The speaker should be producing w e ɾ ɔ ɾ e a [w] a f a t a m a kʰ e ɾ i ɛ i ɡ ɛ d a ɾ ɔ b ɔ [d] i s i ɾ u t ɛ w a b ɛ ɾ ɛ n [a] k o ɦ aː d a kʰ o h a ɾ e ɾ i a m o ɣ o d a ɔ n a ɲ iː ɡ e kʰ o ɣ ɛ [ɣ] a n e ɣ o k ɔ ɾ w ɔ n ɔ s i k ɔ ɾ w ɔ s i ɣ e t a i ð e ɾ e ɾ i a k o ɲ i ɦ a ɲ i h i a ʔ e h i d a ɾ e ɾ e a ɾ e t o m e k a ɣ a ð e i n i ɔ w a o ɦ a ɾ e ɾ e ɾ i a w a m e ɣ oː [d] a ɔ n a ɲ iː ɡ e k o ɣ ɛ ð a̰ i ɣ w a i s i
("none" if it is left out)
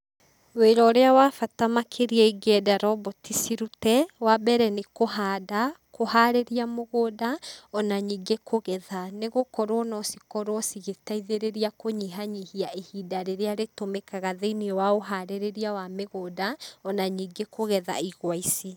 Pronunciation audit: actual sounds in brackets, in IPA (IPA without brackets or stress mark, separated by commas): w, t, e, ð, d